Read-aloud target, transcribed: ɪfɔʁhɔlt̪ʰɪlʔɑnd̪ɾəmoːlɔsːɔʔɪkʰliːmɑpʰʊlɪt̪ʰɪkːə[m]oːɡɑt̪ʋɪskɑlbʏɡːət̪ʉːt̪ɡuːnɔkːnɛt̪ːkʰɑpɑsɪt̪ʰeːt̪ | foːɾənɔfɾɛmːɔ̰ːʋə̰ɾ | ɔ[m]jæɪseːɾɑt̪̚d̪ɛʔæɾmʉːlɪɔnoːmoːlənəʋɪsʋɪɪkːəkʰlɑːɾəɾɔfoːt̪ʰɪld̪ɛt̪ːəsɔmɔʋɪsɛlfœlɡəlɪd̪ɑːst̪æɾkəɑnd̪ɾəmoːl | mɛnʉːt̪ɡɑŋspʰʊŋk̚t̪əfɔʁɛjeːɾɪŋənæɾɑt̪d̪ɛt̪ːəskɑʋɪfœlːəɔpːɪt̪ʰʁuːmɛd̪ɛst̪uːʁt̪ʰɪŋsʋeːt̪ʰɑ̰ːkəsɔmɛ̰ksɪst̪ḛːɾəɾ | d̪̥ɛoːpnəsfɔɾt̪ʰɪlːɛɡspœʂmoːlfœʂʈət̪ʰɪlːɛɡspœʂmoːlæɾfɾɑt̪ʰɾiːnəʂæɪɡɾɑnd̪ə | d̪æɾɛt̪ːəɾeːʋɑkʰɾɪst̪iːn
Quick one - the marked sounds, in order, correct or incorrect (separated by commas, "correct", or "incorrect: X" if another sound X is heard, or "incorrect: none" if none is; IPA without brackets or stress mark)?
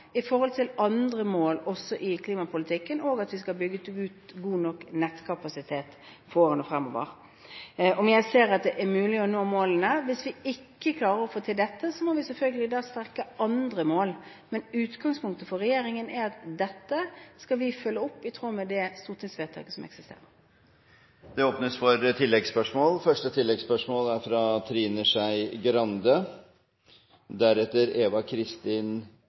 incorrect: n, correct